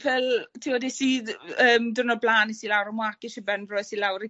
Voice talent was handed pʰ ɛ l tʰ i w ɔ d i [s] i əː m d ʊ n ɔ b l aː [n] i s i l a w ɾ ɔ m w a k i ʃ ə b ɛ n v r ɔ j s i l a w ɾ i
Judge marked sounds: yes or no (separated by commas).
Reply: yes, yes